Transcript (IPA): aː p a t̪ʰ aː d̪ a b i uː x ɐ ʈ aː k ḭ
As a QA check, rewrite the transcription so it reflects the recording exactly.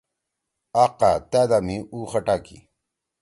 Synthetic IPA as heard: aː q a t̪ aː d̪ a m i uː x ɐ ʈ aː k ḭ

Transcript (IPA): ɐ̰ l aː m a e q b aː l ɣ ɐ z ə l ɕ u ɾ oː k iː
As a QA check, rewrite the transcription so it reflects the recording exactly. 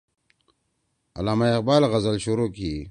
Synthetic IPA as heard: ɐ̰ l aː m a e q b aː l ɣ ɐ z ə l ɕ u ɾ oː k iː

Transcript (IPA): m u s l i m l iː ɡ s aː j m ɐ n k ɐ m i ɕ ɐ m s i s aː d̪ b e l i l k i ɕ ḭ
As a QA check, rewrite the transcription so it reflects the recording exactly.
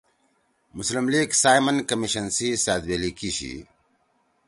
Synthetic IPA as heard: m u s l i m l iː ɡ s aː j m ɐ n k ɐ m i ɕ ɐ n s i s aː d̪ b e l i k i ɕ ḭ

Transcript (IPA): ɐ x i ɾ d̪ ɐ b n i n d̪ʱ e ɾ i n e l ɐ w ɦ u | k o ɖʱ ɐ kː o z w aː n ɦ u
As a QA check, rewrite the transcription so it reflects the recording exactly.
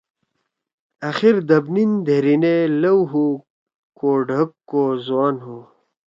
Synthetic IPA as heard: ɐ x i ɾ d̪ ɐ b n i n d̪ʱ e ɾ i n e l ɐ w ɦ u | k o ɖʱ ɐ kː o z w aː n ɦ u

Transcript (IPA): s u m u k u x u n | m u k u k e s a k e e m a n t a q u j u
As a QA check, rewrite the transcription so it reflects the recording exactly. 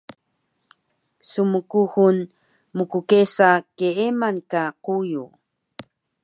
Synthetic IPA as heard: s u m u k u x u n | m u k u k e s a k e e m a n k a q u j u

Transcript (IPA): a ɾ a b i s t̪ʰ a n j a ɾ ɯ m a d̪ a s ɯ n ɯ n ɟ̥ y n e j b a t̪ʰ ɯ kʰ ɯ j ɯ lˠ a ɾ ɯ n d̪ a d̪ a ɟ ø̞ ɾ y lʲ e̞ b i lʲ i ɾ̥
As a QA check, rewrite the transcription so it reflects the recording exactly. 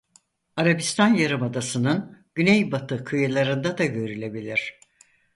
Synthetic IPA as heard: a ɾ a b i s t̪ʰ a n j a ɾ ɯ m a d̪ a s ɯ n ɯ n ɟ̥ y n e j b a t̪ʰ ɯ kʰ ɯ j ɯ lˠ a ɾ ɯ n d̪ a d̪ a ɟ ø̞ ɾ y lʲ e̞ b i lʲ i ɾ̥

